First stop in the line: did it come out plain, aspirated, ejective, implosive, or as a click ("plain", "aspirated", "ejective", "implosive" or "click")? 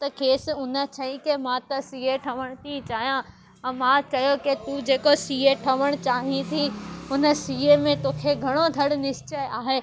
plain